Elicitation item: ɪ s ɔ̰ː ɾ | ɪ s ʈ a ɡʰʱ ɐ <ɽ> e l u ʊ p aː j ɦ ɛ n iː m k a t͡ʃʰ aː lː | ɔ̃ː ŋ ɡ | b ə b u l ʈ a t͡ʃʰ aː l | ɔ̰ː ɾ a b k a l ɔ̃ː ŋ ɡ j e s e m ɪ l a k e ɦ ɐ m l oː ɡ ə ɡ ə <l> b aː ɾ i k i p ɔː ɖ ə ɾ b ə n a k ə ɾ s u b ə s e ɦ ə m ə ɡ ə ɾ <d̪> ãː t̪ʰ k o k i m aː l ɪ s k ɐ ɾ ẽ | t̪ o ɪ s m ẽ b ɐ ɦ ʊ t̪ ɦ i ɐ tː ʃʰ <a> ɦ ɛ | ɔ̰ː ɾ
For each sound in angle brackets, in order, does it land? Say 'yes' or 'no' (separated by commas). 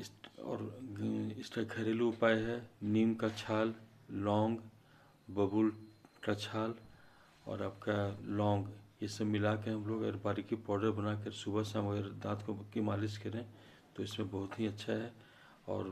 no, no, yes, yes